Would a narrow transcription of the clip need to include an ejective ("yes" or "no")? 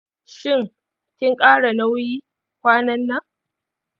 yes